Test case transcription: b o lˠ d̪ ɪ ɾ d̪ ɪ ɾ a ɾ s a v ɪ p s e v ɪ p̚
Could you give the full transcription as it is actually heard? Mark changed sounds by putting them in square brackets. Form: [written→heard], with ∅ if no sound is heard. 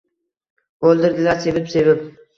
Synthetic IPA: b o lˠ d̪ ɪ ɾ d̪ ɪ [ɾ→l] a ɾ s [a→e] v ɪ p s e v ɪ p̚